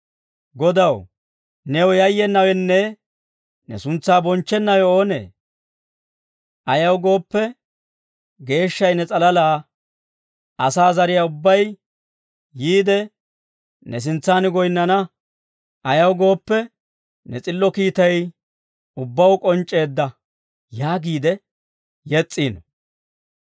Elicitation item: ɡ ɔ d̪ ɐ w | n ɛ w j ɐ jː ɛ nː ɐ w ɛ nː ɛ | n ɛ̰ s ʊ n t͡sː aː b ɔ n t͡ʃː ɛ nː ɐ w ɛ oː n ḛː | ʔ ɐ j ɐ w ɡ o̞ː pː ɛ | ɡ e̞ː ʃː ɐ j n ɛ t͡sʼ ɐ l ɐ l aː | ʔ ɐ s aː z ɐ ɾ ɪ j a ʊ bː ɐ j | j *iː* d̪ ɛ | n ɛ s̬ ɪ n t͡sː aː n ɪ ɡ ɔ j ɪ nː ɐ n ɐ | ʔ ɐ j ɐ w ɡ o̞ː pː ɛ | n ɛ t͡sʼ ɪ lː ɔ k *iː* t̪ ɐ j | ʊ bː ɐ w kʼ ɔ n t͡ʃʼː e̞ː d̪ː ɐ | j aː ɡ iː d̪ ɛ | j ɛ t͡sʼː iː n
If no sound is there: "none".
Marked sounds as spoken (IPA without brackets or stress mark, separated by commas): iː, iː